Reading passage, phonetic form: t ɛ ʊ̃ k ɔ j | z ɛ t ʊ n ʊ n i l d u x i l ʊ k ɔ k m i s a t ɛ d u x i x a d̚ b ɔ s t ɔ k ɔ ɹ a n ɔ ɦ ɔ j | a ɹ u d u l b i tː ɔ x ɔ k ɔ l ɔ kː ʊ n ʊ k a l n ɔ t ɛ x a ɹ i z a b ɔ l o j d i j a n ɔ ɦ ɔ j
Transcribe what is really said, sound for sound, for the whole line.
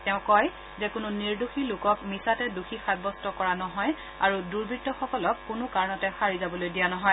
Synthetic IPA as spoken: t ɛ ʊ̃ k ɔ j | z ɛ k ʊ n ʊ n i ɹ d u x i l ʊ k ɔ k m i s a t ɛ d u x i x a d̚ b ɔ s t ɔ k ɔ ɹ a n ɔ ɦ ɔ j | a ɹ u d u ɹ b i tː ɔ x ɔ k ɔ l ɔ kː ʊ n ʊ k a ɹ n ɔ t ɛ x a ɹ i z a b ɔ l o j d i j a n ɔ ɦ ɔ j